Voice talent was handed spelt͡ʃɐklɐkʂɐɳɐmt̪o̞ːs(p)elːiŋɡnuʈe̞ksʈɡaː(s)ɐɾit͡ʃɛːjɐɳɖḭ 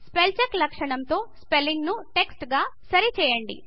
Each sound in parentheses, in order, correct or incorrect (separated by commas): correct, correct